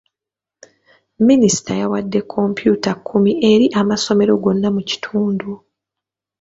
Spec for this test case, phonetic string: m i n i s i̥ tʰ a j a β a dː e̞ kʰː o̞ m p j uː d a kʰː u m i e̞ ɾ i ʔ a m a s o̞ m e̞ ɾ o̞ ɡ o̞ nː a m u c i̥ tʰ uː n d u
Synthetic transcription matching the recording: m i n i s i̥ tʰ a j a w a dː e̞ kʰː o̞ m p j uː t a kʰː u m i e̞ ɾ i ʔ a m a s o̞ m e̞ ɾ o̞ ɡ o̞ nː a m u c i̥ tʰ uː n d u

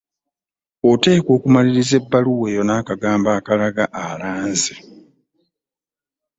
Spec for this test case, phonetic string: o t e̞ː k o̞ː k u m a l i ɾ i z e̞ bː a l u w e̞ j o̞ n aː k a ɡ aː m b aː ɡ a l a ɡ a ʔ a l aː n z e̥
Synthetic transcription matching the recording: o t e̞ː k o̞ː k u m a l i ɾ i z e̞ bː a l u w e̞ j o̞ n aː k a ɡ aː m b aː k a l a ɡ a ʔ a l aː n z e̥

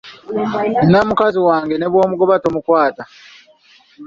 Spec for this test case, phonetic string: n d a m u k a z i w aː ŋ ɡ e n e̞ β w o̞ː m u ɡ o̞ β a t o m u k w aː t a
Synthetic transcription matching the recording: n n a m u k a z i w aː ŋ ɡ e n e̞ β w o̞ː m u ɡ o̞ β a t o m u k w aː t a

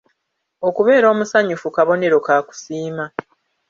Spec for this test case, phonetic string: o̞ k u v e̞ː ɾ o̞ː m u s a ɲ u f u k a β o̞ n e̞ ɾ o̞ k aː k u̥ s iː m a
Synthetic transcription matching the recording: o̞ k u β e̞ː ɾ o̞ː m u s a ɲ u f u k a β o̞ n e̞ ɾ o̞ k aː k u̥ s iː m a

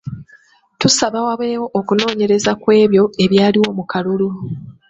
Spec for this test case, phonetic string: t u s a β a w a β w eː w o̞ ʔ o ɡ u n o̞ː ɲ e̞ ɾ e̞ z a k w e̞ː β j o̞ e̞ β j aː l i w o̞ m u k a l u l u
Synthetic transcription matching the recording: t u s a β a w a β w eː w o̞ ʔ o k u n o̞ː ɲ e̞ ɾ e̞ z a k w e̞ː β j o̞ e̞ β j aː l i w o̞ m u k a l u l u

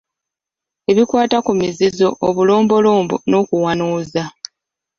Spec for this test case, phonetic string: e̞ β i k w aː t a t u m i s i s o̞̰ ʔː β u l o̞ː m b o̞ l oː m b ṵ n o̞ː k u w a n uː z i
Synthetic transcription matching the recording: e̞ β i k w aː t a k u m i z i z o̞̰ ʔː β u l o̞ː m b o̞ l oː m b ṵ n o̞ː k u w a n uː z a

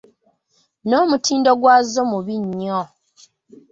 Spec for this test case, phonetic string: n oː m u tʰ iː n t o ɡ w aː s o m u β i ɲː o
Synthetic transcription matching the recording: n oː m u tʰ iː n d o ɡ w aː z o m u β i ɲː o

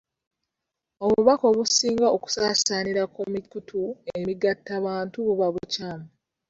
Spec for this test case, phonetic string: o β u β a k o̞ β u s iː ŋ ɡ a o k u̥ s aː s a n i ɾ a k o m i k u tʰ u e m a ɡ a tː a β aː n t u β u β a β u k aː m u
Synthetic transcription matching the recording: o β u β a k o̞ β u s iː ŋ ɡ a o k u̥ s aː s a n i ɾ a k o m i k u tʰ u e m i ɡ a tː a β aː n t u β u β a β u c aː m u

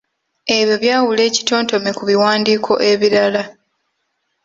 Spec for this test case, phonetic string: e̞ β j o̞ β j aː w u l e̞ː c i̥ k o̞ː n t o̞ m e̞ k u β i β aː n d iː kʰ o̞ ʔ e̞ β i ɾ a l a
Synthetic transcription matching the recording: e̞ β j o̞ β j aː w u l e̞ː c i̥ t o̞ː n t o̞ m e̞ k u β i w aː n d iː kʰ o̞ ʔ e̞ β i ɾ a l a

